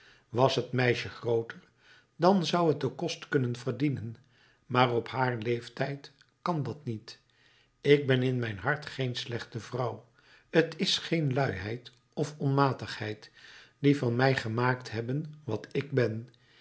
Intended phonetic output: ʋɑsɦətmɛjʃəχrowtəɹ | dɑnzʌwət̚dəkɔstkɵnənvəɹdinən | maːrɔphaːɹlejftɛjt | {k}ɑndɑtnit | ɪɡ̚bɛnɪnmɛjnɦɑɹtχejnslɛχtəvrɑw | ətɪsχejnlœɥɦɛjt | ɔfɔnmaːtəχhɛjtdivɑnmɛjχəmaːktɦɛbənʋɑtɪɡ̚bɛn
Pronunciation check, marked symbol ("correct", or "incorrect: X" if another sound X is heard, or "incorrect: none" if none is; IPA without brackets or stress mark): correct